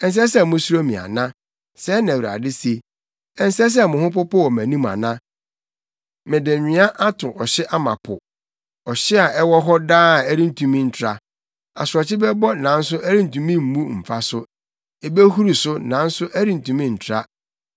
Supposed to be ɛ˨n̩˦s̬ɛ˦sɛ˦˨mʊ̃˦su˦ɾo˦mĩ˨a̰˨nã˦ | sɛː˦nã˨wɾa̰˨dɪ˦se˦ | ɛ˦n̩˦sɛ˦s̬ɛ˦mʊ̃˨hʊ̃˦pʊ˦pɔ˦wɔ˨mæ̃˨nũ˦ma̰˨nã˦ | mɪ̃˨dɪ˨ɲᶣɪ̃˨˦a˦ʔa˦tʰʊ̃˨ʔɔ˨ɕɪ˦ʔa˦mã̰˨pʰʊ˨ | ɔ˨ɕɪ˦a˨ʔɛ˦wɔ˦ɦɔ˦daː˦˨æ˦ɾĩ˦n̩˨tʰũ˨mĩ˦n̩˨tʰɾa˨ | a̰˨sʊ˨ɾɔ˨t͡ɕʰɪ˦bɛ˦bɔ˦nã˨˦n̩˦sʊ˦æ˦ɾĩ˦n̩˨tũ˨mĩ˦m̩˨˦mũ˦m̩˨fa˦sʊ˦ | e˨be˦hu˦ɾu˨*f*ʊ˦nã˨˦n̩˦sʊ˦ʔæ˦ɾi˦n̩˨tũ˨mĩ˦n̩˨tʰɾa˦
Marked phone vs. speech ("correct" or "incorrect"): incorrect